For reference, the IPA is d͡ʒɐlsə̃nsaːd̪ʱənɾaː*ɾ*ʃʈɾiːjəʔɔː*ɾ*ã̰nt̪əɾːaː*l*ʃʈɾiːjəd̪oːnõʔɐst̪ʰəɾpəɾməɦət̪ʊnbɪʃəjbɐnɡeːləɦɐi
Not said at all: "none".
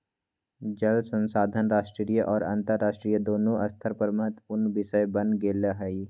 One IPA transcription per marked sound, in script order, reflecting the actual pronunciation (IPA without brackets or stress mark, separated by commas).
none, ɾ, none